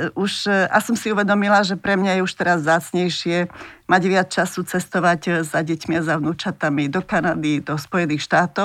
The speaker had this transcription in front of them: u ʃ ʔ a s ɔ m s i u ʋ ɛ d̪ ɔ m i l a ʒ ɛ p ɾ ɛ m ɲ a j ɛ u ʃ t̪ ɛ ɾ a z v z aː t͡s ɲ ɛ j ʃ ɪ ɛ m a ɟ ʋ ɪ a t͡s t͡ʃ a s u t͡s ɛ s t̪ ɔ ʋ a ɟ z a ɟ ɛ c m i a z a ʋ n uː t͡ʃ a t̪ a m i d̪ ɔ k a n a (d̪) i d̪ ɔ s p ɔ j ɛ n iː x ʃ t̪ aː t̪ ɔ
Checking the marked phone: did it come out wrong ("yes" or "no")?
no